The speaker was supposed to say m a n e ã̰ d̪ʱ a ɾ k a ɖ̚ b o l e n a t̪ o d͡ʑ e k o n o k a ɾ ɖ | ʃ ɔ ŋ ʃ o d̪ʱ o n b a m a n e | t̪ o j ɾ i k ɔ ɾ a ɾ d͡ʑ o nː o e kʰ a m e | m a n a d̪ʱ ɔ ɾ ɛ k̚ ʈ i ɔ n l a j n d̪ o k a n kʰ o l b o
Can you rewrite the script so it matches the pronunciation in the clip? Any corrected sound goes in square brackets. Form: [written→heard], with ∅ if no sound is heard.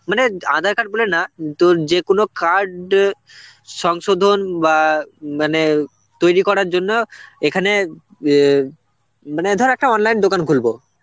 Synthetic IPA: m a n e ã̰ d̪ʱ a ɾ k a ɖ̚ b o l e n a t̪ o d͡ʑ e k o n o k a ɾ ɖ | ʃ ɔ ŋ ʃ o d̪ʱ o n b a m a n e | t̪ o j ɾ i k ɔ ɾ a ɾ d͡ʑ o nː o e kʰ a [m→n] e | m a n [a→e] d̪ʱ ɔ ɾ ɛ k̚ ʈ [i→a] ɔ n l a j n d̪ o k a n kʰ [o→u] l b o

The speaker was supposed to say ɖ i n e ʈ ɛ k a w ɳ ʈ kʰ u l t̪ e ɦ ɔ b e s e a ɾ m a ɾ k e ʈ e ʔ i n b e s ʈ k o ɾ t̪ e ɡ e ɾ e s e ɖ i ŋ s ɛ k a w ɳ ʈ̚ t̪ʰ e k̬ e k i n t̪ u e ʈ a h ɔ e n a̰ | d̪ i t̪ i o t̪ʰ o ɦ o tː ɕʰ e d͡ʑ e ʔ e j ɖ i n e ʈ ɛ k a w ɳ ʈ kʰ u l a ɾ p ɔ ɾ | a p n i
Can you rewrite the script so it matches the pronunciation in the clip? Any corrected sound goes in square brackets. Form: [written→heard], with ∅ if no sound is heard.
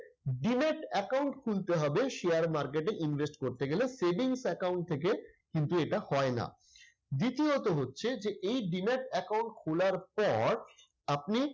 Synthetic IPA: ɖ i n e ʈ ɛ k a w ɳ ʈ kʰ u l t̪ e ɦ ɔ b e [s→ʃ] e a ɾ m a ɾ k e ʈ e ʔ i n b e s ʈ k o ɾ t̪ e ɡ e [ɾ→l] e s e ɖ i ŋ s ɛ k a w ɳ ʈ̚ t̪ʰ e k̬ e k i n t̪ u e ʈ a h ɔ e n a̰ | d̪ i t̪ i o [t̪ʰ→t̪] o ɦ o tː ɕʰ e d͡ʑ e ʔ e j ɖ i n e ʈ ɛ k a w ɳ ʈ kʰ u l a ɾ p ɔ ɾ | a p n i

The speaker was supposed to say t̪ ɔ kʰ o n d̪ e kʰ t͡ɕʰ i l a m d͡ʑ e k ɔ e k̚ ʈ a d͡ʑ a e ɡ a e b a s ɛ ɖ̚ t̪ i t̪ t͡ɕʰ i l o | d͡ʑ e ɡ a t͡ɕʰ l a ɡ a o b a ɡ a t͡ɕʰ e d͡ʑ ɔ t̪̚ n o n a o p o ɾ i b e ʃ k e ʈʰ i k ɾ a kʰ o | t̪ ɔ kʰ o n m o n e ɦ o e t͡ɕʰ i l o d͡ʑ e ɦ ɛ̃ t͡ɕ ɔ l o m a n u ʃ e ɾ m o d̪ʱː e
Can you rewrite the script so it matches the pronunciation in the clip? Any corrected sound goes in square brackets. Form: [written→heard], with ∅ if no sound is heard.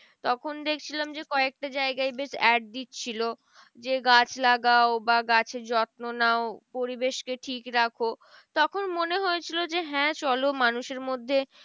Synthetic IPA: t̪ ɔ kʰ o n d̪ e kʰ t͡ɕʰ i l a m d͡ʑ e k ɔ e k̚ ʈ a d͡ʑ a e ɡ a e b [a→e] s ɛ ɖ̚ [t̪→d̪] i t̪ t͡ɕʰ i l o | d͡ʑ e ɡ a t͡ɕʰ l a ɡ a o b a ɡ a t͡ɕʰ e d͡ʑ ɔ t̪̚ n o n a o p o ɾ i b e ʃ k e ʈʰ i k ɾ a kʰ o | t̪ ɔ kʰ o n m o n e ɦ o e t͡ɕʰ i l o d͡ʑ e ɦ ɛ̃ t͡ɕ ɔ l o m a n u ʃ e ɾ m o d̪ʱː e

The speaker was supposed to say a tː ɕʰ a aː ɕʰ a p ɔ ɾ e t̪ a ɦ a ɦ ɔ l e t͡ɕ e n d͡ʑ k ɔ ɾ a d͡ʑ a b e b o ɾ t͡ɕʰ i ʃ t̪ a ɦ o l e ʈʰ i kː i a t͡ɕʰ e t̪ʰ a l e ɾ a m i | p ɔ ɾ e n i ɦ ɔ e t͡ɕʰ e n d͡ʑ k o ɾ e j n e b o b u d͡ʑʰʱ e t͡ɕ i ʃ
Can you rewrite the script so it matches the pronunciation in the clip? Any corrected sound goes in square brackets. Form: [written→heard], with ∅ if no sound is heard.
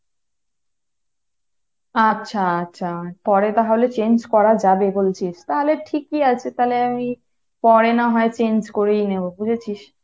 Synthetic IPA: a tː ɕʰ a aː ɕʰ a p ɔ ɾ e t̪ a ɦ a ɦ [ɔ→o] l e t͡ɕ e n d͡ʑ k ɔ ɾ a d͡ʑ a b e b o [ɾ→l] t͡ɕʰ i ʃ t̪ a ɦ o l e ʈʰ i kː i a t͡ɕʰ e [t̪ʰ→t̪] a l e [ɾ→∅] a m i | p ɔ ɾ e n [i→a] ɦ ɔ e [t͡ɕʰ→t͡ɕ] e n d͡ʑ k o ɾ e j n e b o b u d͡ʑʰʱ e [t͡ɕ→t͡ɕʰ] i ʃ

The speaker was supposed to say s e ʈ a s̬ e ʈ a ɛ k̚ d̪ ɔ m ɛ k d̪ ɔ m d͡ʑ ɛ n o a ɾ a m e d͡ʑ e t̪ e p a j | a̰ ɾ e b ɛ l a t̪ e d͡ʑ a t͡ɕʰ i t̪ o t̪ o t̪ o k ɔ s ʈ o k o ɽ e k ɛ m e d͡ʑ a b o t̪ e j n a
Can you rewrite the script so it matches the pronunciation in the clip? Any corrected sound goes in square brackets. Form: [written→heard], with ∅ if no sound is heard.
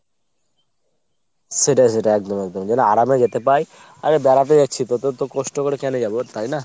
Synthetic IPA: s e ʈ a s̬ e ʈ a ɛ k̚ d̪ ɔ m ɛ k d̪ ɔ m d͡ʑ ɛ n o a ɾ a m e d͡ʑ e t̪ e p a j | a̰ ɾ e b ɛ [l→ɾ] a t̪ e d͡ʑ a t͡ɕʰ i t̪ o t̪ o t̪ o k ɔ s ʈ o k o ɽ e k ɛ [m→n] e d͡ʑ a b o t̪ [e→a] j n a

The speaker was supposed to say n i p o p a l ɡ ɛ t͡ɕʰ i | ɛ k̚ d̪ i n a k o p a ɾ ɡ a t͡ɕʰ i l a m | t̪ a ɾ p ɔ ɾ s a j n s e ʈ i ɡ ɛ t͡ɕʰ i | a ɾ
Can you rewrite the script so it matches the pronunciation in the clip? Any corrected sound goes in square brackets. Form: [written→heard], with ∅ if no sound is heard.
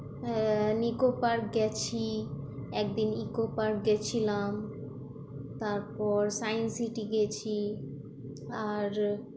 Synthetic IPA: n i [p→k] o p a [l→ɾ] ɡ ɛ t͡ɕʰ i | ɛ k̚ d̪ i n [a→i] k o p a ɾ ɡ [a→ɛ] t͡ɕʰ i l a m | t̪ a ɾ p ɔ ɾ s a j n s [e→i] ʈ i ɡ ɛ t͡ɕʰ i | a ɾ

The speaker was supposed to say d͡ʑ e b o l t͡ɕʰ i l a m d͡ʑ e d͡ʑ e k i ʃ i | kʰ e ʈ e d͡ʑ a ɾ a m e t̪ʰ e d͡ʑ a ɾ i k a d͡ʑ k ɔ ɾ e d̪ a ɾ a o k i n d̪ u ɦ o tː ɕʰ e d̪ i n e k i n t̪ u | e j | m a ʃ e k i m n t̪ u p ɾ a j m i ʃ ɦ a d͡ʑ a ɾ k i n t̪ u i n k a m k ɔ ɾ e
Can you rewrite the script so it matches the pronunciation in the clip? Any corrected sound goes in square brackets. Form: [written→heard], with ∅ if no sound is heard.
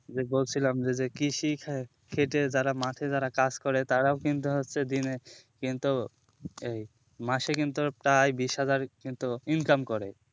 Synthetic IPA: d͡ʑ e b o l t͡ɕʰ i l a m d͡ʑ e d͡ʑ e k i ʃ i | kʰ e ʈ e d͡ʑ a ɾ a m [e→a] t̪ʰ e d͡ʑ a ɾ [i→a] k a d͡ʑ k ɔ ɾ e [d̪→t̪] a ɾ a o k i n [d̪→t̪] u ɦ o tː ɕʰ e d̪ i n e k i n t̪ u | e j | m a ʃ e k i [m→∅] n t̪ u p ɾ a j [m→b] i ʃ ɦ a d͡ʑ a ɾ k i n t̪ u i n k a m k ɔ ɾ e

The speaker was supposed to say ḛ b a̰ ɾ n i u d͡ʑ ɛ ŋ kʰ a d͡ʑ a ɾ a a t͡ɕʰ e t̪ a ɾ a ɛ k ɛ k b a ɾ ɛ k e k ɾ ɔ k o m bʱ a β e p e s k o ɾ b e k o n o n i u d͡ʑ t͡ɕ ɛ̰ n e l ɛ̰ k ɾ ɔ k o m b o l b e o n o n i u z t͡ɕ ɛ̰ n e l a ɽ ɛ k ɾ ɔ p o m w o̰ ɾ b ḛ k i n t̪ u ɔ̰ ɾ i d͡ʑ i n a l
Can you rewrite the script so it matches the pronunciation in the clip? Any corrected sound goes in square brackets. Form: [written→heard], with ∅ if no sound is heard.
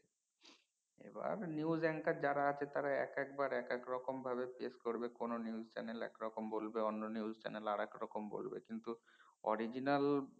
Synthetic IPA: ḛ b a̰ ɾ n i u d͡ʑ ɛ ŋ [kʰ→k] a d͡ʑ a ɾ a a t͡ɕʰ e t̪ a ɾ a ɛ k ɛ k b a ɾ ɛ k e k ɾ ɔ k o m bʱ a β e p e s k o ɾ b e k o n o n i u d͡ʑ t͡ɕ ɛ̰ n e l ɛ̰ k ɾ ɔ k o m b o l b e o [n→nː] o n i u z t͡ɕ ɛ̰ n e l a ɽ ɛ k ɾ ɔ [p→k] o m [w→b] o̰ [ɾ→l] b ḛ k i n t̪ u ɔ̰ ɾ i d͡ʑ i n a l

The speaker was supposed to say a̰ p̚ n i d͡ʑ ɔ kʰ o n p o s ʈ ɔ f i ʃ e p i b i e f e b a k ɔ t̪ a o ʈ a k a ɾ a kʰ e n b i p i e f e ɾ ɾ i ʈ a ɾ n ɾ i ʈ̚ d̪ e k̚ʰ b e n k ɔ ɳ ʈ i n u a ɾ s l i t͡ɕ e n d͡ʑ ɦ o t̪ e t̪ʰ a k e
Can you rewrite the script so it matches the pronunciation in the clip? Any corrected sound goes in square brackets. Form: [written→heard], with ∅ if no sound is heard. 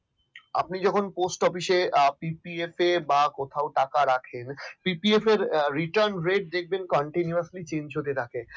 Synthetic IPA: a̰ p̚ n i d͡ʑ ɔ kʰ o n p o s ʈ ɔ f i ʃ e p i [b→p] i e f e b a k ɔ [t̪→t̪ʰ] a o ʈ a k a ɾ a kʰ e n [b→p] i p i e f e ɾ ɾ i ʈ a ɾ n ɾ [i→e] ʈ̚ d̪ e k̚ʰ b e n k ɔ ɳ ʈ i n u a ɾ s l i t͡ɕ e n d͡ʑ ɦ o t̪ e t̪ʰ a k e

